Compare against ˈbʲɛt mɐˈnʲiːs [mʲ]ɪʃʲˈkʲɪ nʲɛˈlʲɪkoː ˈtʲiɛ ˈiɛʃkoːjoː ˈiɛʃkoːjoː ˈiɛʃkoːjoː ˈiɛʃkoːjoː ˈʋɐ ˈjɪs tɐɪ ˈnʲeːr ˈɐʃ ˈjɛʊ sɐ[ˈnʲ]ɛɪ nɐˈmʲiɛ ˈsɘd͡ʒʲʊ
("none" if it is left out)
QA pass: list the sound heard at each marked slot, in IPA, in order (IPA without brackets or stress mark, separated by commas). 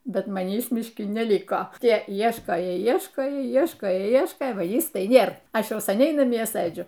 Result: mʲ, nʲ